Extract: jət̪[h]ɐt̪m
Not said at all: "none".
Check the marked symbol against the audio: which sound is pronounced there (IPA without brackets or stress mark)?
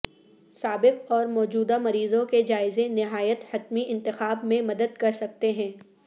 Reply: h